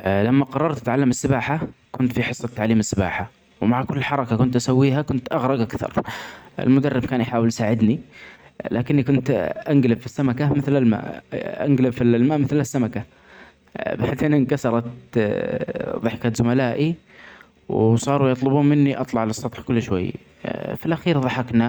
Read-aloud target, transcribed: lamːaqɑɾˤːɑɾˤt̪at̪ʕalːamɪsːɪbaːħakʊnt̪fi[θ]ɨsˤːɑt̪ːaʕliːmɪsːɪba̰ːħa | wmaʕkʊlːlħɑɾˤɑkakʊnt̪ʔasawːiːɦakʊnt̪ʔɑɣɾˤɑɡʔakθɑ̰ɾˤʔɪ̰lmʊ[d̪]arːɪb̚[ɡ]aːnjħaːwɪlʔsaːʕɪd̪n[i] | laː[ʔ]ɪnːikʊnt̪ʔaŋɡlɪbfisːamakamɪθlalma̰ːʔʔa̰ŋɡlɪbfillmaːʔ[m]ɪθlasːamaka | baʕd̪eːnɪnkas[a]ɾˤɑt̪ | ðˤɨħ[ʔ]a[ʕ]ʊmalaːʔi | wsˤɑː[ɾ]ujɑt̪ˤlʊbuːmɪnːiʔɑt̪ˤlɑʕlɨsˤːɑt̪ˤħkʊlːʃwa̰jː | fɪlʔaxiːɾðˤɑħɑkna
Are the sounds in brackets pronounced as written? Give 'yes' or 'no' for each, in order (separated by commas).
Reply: no, yes, no, yes, no, yes, no, no, no, yes